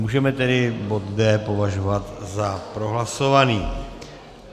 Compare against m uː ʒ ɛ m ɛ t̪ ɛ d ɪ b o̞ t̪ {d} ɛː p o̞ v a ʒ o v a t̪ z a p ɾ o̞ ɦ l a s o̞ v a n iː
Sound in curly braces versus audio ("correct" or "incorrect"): correct